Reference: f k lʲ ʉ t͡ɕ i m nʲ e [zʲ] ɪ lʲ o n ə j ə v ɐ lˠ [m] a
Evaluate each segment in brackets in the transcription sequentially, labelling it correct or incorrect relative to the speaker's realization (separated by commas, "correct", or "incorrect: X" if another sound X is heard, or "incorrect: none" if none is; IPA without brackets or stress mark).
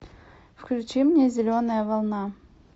correct, incorrect: n